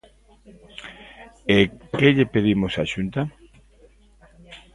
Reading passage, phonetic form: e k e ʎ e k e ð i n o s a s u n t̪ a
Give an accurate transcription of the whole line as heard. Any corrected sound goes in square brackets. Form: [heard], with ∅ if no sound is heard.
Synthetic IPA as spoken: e k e ʎ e [p] e ð i [m] o s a [ʃ] u n t̪ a